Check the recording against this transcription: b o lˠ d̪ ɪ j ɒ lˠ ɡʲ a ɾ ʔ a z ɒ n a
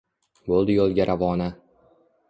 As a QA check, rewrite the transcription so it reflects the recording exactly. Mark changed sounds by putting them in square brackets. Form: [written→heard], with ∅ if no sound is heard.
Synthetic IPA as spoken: b o lˠ d̪ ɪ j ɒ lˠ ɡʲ a ɾ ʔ a [z→v] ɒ n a

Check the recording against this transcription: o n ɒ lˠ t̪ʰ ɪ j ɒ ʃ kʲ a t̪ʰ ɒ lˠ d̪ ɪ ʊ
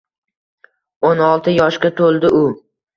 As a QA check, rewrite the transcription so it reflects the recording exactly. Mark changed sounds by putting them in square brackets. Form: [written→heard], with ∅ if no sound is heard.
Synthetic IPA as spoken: o n ɒ lˠ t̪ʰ ɪ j ɒ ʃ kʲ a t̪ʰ [ɒ→o] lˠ d̪ ɪ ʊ

